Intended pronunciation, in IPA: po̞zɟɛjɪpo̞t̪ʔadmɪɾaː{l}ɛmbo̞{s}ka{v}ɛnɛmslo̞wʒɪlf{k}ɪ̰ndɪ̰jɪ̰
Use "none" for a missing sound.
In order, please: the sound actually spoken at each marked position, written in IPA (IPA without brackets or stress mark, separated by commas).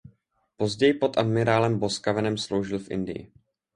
l, s, v, ʔ